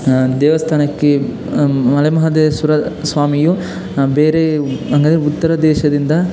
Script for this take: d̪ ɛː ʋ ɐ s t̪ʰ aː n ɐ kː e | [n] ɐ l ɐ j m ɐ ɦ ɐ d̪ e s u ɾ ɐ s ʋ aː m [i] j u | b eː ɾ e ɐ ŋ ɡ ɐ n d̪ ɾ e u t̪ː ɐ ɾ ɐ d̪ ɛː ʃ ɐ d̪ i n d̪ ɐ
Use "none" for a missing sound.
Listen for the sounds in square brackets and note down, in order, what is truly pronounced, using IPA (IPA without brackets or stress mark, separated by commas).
m, i